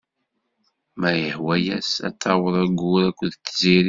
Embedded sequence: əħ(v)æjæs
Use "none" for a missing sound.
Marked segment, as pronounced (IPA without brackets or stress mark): w